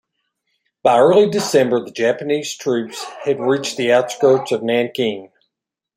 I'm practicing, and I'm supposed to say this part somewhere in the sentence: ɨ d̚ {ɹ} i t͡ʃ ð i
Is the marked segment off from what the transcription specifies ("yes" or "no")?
no